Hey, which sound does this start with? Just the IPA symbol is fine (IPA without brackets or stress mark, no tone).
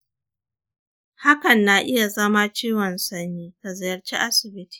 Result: h